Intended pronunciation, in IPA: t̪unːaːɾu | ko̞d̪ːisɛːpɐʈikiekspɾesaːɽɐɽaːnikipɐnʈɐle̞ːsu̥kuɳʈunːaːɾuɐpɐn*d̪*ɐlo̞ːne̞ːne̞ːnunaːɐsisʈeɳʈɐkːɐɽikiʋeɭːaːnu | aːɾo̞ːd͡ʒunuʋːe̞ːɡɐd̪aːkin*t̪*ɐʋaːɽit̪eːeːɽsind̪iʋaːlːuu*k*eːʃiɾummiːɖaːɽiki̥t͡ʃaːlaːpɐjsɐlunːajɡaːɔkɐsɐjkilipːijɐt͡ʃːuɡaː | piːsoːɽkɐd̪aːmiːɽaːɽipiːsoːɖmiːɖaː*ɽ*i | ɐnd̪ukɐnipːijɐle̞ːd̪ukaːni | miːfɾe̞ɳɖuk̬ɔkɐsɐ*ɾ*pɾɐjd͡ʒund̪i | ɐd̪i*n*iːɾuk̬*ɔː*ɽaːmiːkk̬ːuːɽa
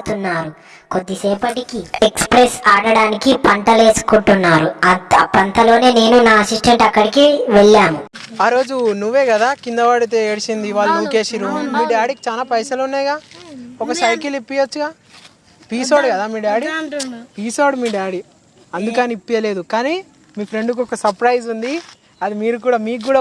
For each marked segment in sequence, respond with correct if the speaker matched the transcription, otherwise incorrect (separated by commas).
incorrect, incorrect, correct, correct, correct, incorrect, incorrect